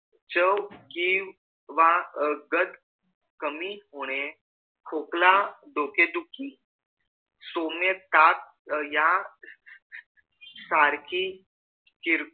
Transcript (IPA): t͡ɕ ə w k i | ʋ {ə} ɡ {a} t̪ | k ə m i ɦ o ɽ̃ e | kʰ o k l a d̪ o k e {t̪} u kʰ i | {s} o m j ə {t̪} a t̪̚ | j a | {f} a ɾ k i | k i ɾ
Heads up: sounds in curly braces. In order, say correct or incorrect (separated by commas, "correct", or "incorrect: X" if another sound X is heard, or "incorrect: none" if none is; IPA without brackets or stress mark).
incorrect: a, incorrect: ə, incorrect: d̪, correct, correct, incorrect: s